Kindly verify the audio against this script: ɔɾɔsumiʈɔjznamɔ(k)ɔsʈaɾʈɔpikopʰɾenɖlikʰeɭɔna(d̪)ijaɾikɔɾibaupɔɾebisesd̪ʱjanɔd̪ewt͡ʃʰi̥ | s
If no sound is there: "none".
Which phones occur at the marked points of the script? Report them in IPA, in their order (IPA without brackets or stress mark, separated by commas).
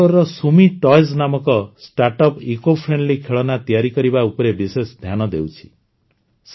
k, t̪